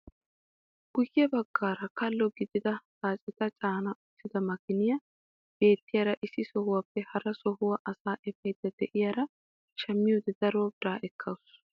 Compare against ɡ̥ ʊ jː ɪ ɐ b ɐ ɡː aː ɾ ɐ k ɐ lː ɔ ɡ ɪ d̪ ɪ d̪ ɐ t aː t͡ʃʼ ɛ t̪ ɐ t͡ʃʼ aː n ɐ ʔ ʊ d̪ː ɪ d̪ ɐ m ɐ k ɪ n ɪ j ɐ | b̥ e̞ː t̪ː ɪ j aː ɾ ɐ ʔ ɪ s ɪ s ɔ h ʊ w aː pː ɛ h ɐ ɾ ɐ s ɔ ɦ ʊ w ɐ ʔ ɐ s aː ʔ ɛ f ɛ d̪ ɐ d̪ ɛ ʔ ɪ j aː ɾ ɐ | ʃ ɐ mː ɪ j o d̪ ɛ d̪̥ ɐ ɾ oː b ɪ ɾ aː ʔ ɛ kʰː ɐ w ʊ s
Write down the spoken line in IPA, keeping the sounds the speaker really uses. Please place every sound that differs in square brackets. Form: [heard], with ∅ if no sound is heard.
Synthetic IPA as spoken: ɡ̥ ʊ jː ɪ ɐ b ɐ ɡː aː ɾ ɐ k ɐ lː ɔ ɡ ɪ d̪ ɪ d̪ ɐ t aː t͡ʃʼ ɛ t̪ ɐ t͡ʃʼ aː n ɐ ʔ ʊ [t̪ː] ɪ d̪ ɐ m ɐ k ɪ n ɪ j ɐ | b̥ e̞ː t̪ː ɪ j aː ɾ ɐ ʔ ɪ s ɪ s ɔ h ʊ w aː pː ɛ h ɐ ɾ ɐ s ɔ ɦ ʊ w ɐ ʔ ɐ s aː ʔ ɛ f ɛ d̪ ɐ d̪ ɛ ʔ ɪ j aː ɾ ɐ | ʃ ɐ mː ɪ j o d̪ ɛ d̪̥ ɐ ɾ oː b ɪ ɾ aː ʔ ɛ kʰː ɐ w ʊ s